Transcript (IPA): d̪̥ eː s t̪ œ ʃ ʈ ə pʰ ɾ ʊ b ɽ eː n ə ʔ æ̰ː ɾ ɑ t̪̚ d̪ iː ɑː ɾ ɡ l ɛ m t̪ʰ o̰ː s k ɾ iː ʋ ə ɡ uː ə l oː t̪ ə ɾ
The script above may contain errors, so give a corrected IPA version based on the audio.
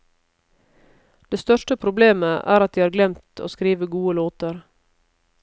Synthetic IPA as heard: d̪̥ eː s t̪ œ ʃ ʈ ə pʰ ɾ ʊ b l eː m ə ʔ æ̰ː ɾ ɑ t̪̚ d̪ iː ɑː ɾ ɡ l ɛ m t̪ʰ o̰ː s k ɾ iː ʋ ə ɡ uː ə l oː t̪ ə ɾ